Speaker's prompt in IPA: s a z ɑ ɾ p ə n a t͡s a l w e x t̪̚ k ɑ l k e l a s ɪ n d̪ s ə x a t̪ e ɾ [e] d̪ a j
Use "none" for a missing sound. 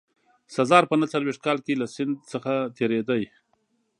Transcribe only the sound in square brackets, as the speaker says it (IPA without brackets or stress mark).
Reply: e